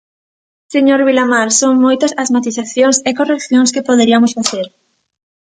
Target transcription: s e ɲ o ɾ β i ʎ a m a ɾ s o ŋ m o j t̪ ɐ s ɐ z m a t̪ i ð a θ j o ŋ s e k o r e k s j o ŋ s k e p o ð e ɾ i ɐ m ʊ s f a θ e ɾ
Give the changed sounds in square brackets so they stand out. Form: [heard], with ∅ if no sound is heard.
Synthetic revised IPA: s e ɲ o ɾ β i [l] a m a ɾ s o ŋ m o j t̪ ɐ s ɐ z m a t̪ i [θ] a θ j o ŋ s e k o r e k [θ] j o ŋ s k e p o ð e ɾ i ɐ m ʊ s f a θ e ɾ